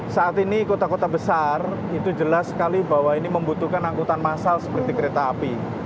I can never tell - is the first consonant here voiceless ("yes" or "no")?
yes